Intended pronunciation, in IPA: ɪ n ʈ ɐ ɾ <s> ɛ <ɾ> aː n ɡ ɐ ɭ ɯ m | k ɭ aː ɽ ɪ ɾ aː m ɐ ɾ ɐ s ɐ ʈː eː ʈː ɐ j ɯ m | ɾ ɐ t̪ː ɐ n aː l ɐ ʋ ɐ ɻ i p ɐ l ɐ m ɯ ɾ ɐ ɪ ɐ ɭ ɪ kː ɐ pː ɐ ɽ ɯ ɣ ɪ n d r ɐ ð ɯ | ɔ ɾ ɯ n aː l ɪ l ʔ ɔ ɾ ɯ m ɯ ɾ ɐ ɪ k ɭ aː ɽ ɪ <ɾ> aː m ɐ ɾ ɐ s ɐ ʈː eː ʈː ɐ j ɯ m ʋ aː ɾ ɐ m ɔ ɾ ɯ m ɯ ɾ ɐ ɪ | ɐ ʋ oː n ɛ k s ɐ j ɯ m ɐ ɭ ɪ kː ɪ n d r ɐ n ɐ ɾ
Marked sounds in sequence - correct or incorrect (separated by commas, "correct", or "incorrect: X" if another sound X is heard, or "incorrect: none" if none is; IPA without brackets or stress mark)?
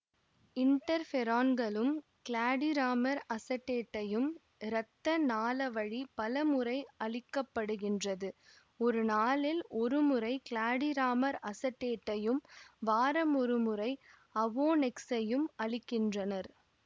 incorrect: f, correct, correct